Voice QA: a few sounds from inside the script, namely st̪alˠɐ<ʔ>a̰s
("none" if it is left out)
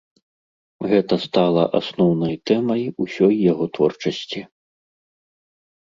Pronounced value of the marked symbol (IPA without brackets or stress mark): ʔ